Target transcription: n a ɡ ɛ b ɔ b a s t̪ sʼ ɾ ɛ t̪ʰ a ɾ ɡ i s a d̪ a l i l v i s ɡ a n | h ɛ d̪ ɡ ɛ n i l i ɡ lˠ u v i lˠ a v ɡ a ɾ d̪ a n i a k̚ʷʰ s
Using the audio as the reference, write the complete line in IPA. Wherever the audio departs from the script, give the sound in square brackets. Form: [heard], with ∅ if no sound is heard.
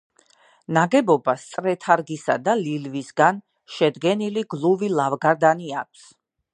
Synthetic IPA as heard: n a ɡ ɛ b ɔ b a s t̪ sʼ ɾ ɛ t̪ʰ a ɾ ɡ i s a d̪ a l i l v i s ɡ a n | [ʃ] ɛ d̪ ɡ ɛ n i l i ɡ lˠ u v i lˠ a v ɡ a ɾ d̪ a n i a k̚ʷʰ s